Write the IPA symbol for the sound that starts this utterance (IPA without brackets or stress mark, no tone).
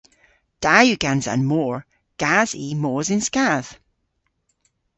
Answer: d̥